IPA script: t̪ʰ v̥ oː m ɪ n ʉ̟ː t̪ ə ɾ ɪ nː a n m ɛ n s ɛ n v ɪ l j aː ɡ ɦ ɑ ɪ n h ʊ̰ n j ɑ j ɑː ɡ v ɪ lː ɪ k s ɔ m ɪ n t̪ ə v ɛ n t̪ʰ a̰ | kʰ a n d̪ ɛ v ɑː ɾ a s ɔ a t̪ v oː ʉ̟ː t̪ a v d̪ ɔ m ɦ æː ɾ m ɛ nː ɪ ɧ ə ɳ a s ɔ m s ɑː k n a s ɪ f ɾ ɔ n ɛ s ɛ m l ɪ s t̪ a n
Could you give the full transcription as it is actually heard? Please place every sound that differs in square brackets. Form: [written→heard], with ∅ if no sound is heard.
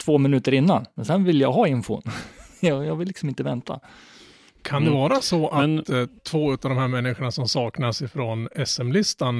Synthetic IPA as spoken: t̪ʰ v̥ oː m ɪ n ʉ̟ː t̪ ə ɾ ɪ nː a n m ɛ n s ɛ n v ɪ l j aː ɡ ɦ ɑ ɪ n [h→f] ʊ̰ n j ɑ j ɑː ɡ v ɪ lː ɪ k s ɔ m ɪ n t̪ ə v ɛ n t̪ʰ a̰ | kʰ a n d̪ ɛ v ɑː ɾ a s ɔ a [t̪→t̪ʰ] v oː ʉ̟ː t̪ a v d̪ ɔ m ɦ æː ɾ m ɛ nː ɪ ɧ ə ɳ a s ɔ m s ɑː k n a s ɪ f ɾ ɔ n ɛ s ɛ m l ɪ s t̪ a n